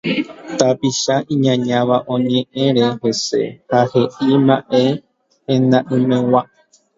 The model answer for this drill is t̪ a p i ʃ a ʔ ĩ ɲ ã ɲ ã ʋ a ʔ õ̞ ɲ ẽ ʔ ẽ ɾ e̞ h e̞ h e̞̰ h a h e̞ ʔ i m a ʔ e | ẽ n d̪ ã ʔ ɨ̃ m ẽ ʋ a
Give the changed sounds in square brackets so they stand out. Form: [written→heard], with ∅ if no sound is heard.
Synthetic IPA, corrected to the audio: t̪ a p i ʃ a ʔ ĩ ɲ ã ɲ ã ʋ a ʔ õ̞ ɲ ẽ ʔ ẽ ɾ e̞ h e̞ [h→s] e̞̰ h a h e̞ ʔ i m a ʔ e | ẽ n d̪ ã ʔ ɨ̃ m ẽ [ʋ→w] a